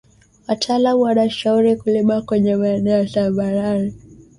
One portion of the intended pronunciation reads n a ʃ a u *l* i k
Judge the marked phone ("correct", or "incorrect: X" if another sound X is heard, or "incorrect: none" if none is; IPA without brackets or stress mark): incorrect: ɾ